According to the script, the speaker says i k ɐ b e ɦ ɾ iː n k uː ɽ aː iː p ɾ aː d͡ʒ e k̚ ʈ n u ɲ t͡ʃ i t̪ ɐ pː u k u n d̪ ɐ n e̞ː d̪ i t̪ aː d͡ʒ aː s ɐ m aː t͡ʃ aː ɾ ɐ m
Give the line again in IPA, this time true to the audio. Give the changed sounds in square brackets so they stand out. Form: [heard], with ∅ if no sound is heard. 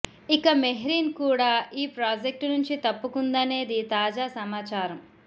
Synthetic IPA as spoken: i k ɐ [m] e ɦ ɾ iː n k uː ɽ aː iː p ɾ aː d͡ʒ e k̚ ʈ n u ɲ t͡ʃ i t̪ ɐ pː u k u n d̪ ɐ n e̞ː d̪ i t̪ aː d͡ʒ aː s ɐ m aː t͡ʃ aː ɾ ɐ m